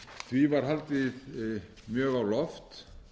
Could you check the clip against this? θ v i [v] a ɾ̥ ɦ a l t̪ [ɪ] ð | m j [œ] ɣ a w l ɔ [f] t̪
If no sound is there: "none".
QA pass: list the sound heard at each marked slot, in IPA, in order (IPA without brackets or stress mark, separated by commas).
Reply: v, ɪ, œː, f